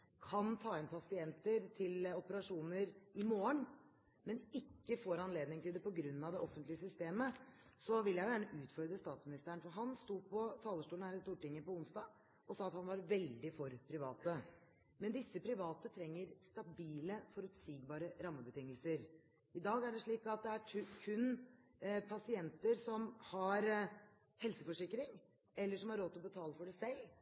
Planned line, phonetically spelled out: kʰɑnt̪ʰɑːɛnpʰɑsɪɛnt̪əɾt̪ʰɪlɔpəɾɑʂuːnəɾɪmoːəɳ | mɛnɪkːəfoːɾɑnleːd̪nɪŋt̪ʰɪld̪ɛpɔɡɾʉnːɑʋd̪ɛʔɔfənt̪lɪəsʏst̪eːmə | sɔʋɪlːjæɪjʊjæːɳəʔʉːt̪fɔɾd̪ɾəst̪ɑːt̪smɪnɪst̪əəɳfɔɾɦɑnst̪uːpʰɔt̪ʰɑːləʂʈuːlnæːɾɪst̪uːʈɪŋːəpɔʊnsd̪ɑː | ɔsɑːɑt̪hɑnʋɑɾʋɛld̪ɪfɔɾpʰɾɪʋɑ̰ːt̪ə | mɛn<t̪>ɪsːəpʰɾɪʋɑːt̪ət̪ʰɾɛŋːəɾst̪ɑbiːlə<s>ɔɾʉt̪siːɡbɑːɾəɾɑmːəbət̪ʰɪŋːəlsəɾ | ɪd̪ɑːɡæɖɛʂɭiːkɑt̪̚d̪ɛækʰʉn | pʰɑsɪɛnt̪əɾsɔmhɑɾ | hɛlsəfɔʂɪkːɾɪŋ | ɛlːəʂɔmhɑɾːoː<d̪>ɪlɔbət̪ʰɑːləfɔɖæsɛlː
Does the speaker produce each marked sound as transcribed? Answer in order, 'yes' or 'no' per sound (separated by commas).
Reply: no, no, no